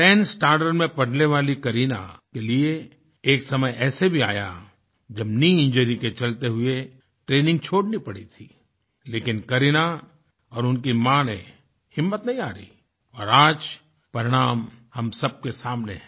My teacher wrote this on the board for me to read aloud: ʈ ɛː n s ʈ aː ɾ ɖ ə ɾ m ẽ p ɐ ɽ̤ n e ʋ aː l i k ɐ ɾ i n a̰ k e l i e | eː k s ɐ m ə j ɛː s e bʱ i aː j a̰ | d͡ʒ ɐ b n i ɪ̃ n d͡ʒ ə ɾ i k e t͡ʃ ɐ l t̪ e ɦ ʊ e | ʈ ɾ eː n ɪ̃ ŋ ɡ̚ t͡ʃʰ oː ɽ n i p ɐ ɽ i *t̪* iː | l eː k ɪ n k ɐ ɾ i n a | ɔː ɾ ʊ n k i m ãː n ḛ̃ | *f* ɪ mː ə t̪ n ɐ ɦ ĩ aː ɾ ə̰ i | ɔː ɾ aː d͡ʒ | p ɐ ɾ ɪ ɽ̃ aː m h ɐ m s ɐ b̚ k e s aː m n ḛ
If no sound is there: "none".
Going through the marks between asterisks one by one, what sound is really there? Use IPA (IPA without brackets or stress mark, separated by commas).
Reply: t̪ʰ, h